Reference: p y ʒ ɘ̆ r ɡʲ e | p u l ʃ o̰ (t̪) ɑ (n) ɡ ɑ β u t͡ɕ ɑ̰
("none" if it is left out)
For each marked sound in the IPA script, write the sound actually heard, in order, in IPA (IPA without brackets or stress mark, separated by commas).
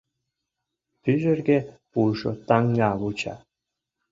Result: t̪, ŋ